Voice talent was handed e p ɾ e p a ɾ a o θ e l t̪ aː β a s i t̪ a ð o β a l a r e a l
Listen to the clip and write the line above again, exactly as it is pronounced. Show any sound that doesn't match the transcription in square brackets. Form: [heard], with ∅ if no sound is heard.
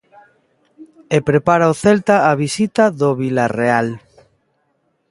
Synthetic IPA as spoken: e p ɾ e p a ɾ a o θ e l t̪ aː β [i] s i t̪ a ð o β [i] l a r e a l